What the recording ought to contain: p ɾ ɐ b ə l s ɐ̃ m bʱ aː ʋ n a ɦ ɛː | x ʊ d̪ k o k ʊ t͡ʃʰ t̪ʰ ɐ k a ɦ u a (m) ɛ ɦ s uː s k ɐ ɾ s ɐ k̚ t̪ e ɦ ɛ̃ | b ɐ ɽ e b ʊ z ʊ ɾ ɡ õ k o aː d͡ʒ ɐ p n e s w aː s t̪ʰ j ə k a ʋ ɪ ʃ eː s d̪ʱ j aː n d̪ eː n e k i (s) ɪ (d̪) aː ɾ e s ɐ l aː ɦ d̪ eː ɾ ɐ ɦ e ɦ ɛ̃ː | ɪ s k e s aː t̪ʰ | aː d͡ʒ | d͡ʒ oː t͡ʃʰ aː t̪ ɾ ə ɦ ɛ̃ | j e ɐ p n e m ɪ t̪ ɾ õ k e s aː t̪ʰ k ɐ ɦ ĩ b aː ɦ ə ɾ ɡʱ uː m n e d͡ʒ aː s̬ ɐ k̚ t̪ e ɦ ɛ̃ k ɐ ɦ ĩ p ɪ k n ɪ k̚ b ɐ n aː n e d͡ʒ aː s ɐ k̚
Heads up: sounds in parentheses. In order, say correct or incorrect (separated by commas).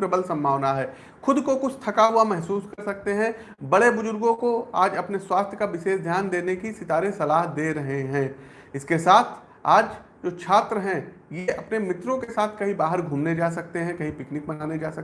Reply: correct, correct, incorrect